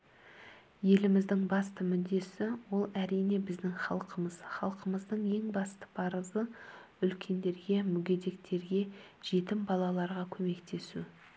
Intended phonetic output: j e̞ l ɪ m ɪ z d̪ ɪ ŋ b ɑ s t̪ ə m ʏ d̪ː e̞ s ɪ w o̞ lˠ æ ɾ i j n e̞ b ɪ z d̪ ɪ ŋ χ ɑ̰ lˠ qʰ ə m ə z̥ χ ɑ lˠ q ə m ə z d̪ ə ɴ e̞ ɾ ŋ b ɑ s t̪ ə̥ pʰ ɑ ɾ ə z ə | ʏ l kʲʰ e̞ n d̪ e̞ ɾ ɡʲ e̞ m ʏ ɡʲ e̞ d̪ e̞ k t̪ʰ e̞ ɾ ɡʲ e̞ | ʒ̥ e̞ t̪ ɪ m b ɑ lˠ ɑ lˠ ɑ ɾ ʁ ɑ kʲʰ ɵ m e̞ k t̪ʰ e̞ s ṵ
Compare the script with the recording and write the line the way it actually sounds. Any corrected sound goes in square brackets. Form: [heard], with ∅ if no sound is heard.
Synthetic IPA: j e̞ l ɪ m ɪ z d̪ ɪ ŋ b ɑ s t̪ ə m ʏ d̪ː e̞ s ɪ w o̞ lˠ æ ɾ i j n e̞ b ɪ z d̪ ɪ ŋ χ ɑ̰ lˠ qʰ ə m ə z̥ χ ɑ lˠ q ə m ə z d̪ ə ɴ e̞ [∅] ŋ b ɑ s t̪ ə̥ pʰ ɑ ɾ ə z ə | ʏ l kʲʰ e̞ n d̪ e̞ ɾ ɡʲ e̞ m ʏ ɡʲ e̞ d̪ e̞ k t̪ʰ e̞ ɾ ɡʲ e̞ | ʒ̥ e̞ t̪ ɪ m b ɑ lˠ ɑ lˠ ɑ ɾ ʁ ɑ kʲʰ ɵ m e̞ k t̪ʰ e̞ s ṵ